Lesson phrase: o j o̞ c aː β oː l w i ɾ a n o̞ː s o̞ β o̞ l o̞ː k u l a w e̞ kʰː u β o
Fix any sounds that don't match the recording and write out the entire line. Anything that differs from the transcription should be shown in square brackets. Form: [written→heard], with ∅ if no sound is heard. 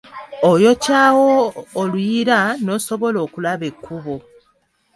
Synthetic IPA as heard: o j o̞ c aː [β→w] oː l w i ɾ a n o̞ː s o̞ β o̞ l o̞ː k u l a [w→β] e̞ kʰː u β o